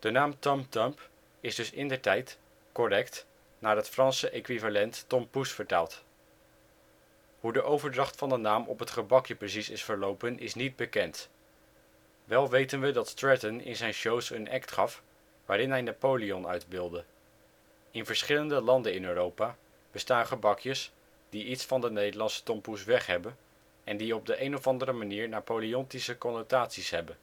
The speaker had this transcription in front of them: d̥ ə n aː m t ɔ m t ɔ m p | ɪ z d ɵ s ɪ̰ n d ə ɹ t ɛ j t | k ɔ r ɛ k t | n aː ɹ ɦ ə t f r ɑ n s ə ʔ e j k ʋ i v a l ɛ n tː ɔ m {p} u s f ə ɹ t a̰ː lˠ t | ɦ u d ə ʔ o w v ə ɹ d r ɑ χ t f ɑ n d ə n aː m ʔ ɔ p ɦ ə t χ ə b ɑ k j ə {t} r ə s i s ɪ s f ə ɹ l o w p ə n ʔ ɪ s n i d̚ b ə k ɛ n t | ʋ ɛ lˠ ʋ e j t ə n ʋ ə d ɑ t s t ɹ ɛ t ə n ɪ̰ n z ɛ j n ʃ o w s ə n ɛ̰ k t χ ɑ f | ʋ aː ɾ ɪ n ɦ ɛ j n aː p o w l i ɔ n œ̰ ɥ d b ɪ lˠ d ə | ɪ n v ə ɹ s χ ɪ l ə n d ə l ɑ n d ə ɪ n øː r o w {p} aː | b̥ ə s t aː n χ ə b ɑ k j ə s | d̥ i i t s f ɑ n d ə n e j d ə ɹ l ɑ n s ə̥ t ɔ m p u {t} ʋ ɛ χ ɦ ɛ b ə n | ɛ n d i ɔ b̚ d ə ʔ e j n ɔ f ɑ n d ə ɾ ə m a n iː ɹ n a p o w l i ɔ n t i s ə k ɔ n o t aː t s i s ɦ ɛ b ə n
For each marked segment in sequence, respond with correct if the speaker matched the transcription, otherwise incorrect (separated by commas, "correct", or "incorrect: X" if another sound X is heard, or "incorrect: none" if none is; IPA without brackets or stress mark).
correct, incorrect: p, correct, incorrect: s